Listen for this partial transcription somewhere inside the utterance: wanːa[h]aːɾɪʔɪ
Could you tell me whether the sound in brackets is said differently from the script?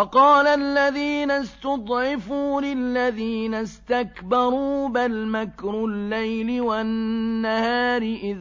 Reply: no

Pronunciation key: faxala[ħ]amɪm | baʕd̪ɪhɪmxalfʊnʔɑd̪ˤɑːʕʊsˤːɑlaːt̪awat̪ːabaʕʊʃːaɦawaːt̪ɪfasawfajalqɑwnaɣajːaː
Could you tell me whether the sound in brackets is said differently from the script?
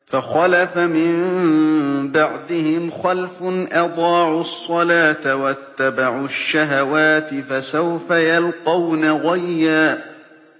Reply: yes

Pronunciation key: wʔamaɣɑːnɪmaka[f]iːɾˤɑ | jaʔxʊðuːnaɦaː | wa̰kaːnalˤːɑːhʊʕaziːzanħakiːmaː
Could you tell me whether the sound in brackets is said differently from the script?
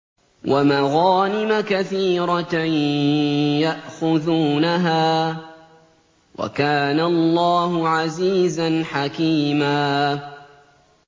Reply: yes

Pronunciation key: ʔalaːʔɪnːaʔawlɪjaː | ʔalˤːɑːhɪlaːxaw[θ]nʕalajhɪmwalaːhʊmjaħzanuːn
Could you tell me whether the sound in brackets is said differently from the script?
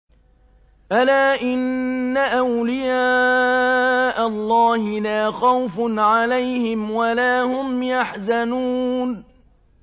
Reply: yes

